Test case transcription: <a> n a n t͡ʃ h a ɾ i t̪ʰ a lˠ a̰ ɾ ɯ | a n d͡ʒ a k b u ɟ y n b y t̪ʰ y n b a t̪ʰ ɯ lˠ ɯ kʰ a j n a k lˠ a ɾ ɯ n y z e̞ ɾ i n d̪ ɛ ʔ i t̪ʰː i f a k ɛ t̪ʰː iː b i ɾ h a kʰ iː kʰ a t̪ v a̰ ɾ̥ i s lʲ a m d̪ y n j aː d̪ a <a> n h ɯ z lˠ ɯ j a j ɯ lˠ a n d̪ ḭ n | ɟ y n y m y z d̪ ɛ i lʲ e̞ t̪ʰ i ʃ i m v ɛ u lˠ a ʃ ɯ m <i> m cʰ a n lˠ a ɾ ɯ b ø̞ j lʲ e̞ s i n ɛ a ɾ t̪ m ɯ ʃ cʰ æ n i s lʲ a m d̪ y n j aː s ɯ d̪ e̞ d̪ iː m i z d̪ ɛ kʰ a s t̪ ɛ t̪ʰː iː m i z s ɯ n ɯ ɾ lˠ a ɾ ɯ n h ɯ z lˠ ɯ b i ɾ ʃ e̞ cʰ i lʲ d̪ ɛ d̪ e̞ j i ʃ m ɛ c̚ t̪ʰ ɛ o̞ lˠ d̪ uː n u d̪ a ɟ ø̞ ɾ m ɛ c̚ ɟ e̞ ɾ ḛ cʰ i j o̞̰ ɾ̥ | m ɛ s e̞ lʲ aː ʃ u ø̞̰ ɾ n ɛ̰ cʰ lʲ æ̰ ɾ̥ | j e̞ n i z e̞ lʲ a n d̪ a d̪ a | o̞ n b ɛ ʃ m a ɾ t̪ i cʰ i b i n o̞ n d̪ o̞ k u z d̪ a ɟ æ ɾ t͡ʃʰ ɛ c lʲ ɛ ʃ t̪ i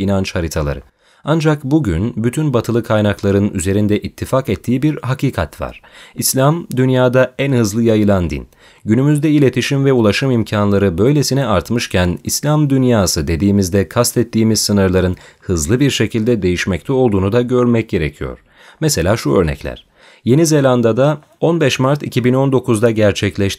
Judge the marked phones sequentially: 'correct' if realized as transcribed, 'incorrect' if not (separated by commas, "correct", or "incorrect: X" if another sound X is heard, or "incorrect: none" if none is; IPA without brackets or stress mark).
incorrect: i, incorrect: æ, correct